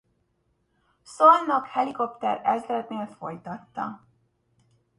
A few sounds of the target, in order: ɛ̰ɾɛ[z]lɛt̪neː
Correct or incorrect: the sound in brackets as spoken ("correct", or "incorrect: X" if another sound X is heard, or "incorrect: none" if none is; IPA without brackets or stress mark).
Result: correct